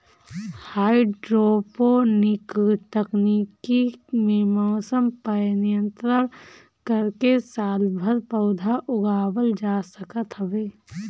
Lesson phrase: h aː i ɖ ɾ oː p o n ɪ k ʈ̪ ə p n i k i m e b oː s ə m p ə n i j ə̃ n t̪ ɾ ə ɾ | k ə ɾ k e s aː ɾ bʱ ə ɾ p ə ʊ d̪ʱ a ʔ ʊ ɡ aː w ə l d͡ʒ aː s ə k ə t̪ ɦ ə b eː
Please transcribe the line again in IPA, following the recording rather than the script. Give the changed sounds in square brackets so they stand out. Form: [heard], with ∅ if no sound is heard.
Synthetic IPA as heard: h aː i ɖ ɾ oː p o n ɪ k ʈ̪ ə [k] n i k i m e [m] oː s ə m p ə n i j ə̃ n t̪ ɾ ə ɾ | k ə ɾ k e s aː [l] bʱ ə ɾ p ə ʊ d̪ʱ a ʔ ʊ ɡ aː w ə l d͡ʒ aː s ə k ə t̪ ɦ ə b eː